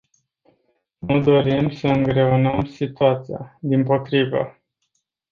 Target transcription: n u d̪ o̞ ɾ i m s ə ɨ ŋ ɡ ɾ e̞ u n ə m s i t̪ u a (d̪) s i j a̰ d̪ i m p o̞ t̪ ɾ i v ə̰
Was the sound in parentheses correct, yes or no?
no